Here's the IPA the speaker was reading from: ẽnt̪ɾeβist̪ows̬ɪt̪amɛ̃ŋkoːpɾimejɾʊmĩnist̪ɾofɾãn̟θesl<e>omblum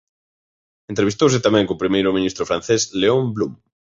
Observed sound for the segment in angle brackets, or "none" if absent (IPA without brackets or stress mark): e